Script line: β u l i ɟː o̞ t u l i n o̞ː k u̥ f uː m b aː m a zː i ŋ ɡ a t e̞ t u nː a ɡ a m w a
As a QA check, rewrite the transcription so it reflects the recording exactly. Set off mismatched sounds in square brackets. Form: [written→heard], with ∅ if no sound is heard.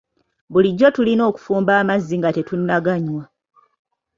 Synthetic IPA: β u l i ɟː o̞ t u l i n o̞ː k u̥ f uː m b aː m a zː i ŋ ɡ a t e̞ t u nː a ɡ a [m→ɲ] w a